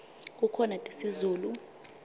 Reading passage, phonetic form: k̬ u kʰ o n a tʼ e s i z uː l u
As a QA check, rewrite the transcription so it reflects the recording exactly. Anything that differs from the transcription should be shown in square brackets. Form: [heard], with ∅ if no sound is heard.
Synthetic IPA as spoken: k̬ u kʰ [ɔ] n a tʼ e s i z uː l u